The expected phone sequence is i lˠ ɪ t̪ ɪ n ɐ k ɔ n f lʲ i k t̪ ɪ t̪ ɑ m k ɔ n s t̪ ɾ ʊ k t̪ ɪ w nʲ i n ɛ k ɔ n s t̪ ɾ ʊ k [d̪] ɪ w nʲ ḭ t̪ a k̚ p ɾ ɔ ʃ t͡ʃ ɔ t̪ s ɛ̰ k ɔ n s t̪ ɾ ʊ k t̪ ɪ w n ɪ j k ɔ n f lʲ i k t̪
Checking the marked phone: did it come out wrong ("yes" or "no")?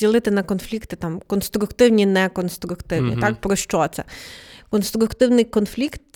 yes